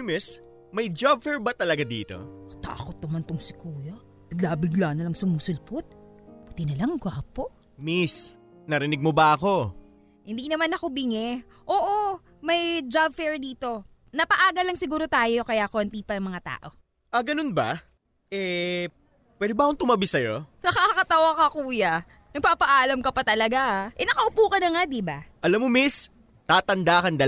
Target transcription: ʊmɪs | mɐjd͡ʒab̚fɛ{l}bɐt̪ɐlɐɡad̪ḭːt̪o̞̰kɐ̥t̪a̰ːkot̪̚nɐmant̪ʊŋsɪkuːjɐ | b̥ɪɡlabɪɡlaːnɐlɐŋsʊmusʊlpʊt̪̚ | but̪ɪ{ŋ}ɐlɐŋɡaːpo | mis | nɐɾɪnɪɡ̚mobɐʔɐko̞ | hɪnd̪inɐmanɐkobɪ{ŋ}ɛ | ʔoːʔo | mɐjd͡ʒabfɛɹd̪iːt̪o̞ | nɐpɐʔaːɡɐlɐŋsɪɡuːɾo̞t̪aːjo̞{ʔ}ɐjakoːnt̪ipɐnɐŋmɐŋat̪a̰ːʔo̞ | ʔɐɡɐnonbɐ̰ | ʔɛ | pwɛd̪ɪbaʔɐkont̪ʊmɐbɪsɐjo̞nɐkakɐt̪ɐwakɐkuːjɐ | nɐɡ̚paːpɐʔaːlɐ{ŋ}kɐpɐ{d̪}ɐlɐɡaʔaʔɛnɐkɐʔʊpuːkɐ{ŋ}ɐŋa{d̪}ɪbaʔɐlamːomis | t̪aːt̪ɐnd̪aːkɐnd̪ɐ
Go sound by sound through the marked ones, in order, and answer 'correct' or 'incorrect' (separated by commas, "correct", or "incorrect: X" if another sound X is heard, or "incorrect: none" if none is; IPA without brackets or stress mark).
incorrect: ɹ, incorrect: n, correct, incorrect: k, incorrect: m, incorrect: t̪, incorrect: n, correct